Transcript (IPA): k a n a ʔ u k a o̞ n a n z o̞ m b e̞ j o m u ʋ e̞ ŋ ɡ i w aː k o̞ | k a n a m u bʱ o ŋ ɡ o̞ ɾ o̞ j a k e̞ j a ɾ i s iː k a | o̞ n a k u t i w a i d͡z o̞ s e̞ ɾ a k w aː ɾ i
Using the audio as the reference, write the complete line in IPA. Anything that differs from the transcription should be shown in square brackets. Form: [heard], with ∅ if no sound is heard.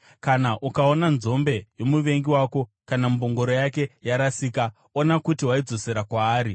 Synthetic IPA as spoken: k a n a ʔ u k a o̞ n a n z o̞ m b e̞ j o m u ʋ e̞ ŋ ɡ i w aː k o̞ | k a n a m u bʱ o ŋ ɡ o̞ ɾ o̞ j a k e̞ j a ɾ [a] s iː k a | o̞ n a k u t i w a i d͡z o̞ s e̞ ɾ a k w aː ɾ i